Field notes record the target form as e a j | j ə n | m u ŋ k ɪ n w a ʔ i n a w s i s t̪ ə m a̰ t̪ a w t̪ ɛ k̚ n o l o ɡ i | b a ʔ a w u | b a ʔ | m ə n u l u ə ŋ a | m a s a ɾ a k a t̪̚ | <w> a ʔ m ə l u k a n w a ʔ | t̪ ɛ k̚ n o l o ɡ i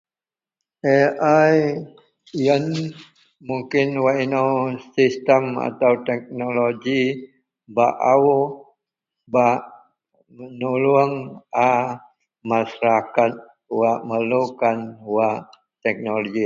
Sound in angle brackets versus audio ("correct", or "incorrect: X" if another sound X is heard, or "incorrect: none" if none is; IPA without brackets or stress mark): correct